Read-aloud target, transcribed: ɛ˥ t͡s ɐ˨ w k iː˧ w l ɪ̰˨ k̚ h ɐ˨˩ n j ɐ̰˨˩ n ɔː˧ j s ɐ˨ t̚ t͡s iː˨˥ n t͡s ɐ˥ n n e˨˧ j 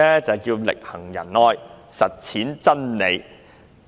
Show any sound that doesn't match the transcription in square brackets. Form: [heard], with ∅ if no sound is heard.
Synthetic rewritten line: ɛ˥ t͡s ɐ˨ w k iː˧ w l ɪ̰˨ k̚ h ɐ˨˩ [ŋ] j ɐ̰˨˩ n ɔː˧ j s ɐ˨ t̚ [t͡sʰ] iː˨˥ n t͡s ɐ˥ n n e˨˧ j